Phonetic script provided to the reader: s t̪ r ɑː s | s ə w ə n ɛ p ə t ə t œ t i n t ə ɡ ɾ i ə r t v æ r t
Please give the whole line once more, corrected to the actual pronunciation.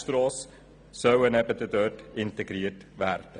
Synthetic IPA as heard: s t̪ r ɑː s | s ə w ə n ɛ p ə t ə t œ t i n t ə ɡ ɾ i ə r t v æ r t